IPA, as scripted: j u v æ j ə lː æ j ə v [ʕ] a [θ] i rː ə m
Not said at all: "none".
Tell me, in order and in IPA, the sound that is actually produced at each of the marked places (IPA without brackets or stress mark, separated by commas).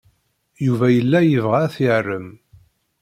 ʁ, θ